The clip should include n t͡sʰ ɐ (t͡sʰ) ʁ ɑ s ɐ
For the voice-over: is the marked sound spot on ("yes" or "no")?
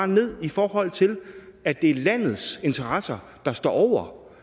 no